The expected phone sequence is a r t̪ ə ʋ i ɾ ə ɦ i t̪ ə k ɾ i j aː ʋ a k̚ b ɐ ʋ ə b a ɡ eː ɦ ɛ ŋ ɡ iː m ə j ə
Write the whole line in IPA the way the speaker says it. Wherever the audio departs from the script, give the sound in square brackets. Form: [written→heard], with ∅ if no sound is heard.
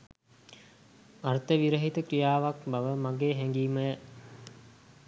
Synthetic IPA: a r t̪ ə ʋ i ɾ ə ɦ i t̪ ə k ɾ i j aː ʋ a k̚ b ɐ ʋ ə [b→m] a ɡ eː ɦ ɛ ŋ ɡ iː m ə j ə